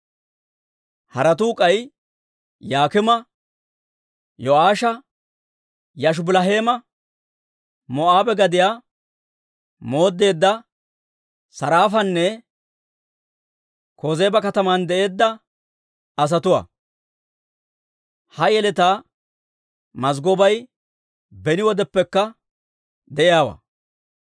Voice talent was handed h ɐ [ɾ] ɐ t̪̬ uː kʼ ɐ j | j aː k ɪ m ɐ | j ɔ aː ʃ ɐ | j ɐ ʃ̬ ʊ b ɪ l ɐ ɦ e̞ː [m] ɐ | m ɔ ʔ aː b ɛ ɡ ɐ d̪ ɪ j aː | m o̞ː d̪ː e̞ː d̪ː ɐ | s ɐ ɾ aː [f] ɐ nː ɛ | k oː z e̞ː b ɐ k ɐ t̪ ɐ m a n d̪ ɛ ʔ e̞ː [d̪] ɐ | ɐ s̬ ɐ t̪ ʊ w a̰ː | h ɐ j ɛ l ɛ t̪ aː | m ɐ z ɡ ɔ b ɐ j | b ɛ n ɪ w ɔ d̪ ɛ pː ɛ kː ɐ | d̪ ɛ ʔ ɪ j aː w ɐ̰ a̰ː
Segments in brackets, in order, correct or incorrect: correct, correct, correct, incorrect: d̪ː

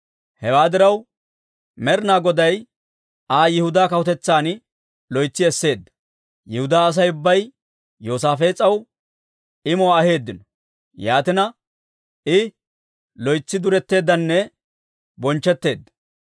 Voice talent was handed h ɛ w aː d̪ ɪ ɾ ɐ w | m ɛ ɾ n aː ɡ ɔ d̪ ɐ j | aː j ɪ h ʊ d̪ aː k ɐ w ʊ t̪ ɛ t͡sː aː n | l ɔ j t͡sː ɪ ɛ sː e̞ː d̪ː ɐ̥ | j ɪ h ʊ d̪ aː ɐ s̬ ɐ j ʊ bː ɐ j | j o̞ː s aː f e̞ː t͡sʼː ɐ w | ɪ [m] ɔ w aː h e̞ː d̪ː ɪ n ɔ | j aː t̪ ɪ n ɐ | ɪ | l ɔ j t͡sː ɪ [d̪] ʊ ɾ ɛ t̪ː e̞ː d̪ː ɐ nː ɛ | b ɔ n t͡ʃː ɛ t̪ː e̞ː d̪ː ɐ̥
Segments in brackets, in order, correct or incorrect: correct, correct

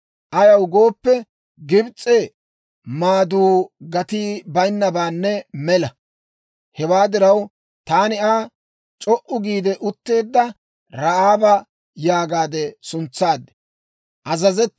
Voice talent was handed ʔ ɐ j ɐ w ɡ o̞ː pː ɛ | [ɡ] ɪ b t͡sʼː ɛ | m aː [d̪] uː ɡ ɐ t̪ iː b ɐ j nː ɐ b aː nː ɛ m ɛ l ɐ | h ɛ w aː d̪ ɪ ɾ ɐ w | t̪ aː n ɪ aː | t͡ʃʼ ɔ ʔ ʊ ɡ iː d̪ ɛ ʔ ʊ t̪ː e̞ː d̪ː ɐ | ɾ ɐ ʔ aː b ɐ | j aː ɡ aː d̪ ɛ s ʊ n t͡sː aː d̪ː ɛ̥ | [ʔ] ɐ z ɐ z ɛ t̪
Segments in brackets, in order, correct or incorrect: correct, correct, correct

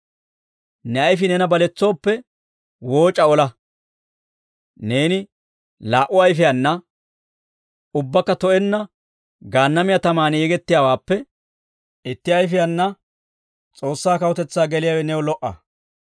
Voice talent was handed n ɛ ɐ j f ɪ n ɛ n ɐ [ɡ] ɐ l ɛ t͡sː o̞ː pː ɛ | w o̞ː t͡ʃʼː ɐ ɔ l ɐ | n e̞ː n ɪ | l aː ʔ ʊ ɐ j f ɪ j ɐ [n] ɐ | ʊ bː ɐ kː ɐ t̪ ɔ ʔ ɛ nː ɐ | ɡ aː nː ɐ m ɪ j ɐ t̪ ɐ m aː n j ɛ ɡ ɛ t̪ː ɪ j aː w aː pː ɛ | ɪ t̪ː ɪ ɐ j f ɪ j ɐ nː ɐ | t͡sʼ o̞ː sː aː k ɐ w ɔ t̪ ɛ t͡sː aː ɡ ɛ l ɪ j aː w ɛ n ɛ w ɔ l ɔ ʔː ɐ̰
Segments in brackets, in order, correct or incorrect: incorrect: b, incorrect: nː

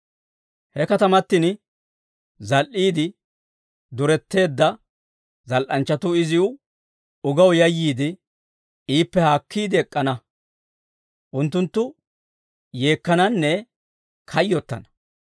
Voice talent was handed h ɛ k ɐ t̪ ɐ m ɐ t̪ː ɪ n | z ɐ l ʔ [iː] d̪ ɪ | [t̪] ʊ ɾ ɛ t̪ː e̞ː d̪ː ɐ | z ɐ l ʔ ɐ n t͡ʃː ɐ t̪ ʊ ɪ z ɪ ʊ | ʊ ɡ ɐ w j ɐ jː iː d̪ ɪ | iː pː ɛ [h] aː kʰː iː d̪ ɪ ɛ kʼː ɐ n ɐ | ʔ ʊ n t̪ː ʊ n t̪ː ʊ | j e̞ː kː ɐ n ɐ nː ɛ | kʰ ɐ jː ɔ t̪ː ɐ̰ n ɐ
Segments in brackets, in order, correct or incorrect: correct, incorrect: d̪, correct

